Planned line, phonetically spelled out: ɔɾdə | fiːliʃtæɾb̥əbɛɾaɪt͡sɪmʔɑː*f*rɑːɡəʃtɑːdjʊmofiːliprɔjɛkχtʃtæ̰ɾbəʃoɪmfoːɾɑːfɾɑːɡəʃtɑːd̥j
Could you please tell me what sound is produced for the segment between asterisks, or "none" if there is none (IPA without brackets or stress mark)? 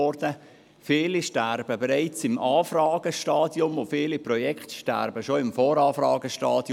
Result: f